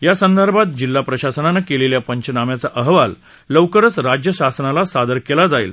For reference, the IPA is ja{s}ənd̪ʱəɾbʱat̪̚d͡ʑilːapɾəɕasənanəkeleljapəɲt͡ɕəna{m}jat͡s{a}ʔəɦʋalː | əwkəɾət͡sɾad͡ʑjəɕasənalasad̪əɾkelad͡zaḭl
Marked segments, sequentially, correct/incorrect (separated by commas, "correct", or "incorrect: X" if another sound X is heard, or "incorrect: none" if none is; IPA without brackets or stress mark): correct, correct, correct